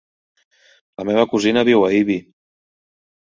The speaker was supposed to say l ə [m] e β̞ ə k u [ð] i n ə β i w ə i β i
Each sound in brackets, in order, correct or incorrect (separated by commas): correct, incorrect